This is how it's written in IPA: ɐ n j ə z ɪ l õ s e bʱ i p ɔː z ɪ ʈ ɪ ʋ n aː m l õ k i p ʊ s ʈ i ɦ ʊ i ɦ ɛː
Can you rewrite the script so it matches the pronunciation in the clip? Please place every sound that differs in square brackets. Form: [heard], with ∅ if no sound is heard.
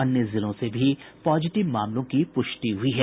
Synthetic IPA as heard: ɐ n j ə z ɪ l õ s e bʱ i p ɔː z ɪ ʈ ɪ ʋ [m] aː m l õ k i p ʊ [ʃ] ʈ i ɦ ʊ i ɦ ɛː